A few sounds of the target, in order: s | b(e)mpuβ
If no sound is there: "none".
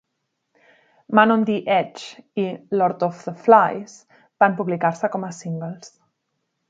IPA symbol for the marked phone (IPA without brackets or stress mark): a